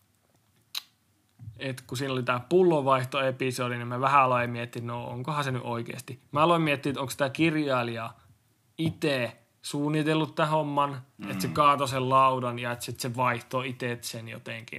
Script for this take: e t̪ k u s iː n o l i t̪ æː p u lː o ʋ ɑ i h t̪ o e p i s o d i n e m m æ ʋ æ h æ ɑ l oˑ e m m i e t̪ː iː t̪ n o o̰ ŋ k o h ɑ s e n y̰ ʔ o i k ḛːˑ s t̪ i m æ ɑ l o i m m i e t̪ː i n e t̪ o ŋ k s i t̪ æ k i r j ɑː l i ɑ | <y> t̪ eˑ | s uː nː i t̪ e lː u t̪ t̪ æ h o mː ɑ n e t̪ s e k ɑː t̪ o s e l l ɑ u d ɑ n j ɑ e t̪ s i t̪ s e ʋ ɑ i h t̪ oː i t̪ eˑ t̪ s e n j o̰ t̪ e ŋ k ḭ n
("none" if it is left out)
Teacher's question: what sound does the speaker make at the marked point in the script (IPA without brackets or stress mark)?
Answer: i